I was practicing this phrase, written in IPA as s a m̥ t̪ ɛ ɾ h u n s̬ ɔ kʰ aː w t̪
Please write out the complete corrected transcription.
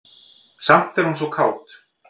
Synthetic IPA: s a m̥ t̪ ɛ ɾ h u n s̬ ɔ kʰ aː w t̪